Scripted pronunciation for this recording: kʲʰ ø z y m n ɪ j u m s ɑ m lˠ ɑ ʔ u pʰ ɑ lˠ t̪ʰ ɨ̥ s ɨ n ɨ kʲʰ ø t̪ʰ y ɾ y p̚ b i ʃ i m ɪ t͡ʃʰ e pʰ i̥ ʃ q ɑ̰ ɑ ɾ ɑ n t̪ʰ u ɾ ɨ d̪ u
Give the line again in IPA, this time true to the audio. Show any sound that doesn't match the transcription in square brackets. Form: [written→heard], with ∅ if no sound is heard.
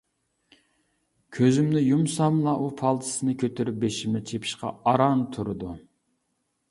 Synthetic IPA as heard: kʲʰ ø z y m n ɪ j u m s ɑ m lˠ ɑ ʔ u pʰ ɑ lˠ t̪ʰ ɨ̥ s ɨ n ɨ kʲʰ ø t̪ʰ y ɾ y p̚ b [i→e] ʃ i m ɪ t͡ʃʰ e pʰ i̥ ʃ q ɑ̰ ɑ ɾ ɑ n t̪ʰ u ɾ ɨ d̪ u